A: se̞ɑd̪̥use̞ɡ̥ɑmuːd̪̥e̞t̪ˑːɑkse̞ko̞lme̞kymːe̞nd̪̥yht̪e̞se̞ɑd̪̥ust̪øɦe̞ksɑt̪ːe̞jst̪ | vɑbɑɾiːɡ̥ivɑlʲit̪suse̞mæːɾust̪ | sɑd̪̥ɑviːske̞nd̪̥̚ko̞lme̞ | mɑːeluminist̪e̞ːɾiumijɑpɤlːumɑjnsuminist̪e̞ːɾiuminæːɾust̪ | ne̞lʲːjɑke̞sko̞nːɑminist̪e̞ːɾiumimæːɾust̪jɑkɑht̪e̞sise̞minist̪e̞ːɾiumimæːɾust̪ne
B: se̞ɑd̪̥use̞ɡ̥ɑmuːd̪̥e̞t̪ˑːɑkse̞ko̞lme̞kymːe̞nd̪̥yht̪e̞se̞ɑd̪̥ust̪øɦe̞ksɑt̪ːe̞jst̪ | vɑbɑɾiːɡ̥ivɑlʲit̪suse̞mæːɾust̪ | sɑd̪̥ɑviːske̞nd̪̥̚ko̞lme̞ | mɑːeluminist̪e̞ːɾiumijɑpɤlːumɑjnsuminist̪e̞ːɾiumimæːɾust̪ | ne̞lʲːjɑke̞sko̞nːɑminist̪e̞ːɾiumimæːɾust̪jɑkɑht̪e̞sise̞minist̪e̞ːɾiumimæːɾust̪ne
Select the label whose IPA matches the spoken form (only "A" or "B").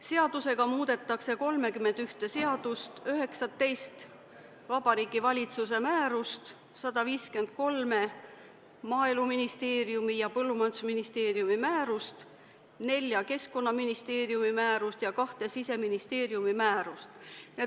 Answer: B